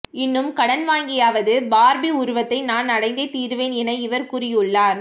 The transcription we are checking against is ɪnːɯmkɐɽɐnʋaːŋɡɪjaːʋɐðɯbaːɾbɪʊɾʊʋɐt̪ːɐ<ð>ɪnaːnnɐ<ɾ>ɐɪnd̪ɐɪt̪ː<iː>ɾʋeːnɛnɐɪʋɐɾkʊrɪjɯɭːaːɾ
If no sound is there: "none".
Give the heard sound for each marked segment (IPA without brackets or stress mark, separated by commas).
none, ɽ, iː